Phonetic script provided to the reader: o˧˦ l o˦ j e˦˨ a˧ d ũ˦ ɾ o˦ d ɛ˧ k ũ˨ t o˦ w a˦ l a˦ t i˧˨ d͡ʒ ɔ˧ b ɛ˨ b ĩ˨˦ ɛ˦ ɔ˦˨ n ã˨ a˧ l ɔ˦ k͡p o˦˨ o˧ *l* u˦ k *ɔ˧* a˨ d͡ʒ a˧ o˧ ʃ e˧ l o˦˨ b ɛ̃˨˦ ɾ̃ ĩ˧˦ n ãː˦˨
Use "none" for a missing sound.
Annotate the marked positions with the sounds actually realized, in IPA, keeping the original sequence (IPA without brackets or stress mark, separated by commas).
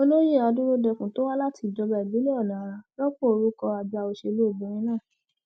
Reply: ɾ, ɔ˧